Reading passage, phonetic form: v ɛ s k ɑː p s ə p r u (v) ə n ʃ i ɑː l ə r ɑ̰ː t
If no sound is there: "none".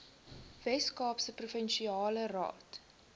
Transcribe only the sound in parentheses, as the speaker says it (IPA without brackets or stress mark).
f